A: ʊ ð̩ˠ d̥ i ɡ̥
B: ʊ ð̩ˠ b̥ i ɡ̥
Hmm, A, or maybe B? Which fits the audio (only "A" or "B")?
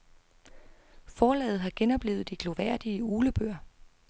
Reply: A